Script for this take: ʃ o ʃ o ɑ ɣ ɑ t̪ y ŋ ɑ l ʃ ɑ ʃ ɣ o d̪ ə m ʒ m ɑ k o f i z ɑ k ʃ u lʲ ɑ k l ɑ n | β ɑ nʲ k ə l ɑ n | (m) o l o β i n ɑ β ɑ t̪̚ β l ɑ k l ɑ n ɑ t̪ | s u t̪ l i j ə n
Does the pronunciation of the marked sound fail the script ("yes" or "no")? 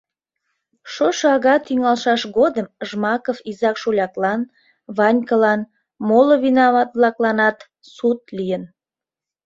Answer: no